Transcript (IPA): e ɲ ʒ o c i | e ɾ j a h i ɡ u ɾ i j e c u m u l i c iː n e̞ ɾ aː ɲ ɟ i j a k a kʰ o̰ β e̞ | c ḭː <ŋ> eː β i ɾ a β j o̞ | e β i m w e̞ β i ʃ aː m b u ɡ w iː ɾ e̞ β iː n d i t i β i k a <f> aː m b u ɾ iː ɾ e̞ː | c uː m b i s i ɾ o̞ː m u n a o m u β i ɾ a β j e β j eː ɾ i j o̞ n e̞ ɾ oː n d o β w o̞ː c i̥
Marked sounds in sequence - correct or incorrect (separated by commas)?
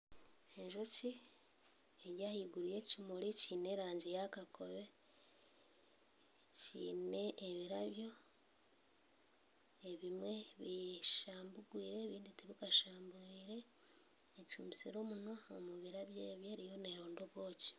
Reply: incorrect, incorrect